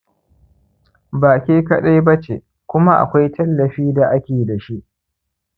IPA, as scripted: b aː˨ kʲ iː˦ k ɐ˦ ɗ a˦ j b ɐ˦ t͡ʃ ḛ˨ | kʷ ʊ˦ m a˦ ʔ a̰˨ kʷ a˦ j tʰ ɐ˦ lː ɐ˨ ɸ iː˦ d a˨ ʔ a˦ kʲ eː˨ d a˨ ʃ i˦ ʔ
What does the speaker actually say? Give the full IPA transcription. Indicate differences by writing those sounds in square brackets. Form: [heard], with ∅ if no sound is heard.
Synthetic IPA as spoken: b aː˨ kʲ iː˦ k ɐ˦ ɗ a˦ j b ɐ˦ t͡ʃ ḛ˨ | kʷ ʊ˦ m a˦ ʔ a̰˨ kʷ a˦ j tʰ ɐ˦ lː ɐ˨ ɸ iː˦ d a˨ ʔ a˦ kʲ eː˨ d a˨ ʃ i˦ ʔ